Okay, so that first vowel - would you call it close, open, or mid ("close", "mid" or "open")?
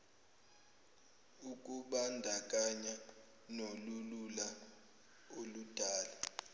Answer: close